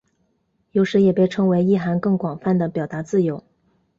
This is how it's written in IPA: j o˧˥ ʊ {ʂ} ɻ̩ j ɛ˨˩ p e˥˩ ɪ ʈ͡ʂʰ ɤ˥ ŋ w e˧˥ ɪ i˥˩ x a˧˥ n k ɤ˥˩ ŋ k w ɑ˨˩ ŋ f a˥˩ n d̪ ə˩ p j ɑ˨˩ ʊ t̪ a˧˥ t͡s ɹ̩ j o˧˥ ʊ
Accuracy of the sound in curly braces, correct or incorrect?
correct